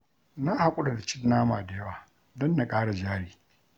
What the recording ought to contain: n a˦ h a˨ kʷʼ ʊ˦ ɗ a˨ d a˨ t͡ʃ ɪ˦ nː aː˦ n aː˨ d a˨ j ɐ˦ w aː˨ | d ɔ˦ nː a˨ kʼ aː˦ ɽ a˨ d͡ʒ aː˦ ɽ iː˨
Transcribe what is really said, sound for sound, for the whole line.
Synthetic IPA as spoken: n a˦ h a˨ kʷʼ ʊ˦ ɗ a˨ d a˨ t͡ʃ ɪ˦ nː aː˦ m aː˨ d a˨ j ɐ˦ w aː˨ | d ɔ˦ nː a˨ kʼ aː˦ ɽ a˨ d͡ʒ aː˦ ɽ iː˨